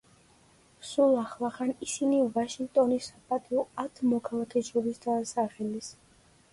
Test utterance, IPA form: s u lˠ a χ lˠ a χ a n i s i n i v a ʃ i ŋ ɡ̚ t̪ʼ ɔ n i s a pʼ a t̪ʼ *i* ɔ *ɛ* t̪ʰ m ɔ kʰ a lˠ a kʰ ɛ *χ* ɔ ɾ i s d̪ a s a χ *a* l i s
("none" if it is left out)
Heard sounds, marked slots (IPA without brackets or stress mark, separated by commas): i, a, ʃ, ɛ